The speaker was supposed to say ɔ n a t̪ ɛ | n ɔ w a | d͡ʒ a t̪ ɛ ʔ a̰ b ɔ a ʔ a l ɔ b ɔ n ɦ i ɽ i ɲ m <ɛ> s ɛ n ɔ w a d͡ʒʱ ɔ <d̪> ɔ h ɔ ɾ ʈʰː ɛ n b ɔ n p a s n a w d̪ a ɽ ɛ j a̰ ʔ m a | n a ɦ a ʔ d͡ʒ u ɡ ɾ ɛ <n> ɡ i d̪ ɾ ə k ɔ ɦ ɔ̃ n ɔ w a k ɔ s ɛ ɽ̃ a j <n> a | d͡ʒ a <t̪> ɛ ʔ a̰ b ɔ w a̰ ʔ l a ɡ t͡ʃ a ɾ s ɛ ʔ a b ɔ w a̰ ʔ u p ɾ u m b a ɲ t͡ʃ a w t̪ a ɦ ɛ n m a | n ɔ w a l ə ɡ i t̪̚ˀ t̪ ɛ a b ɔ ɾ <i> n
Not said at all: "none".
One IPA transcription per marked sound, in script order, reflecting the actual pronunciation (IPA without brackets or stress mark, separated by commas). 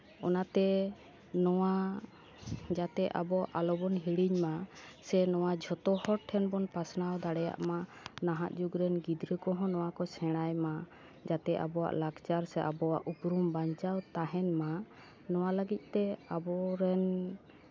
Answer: a, t̪, n, m, t̪, ɛ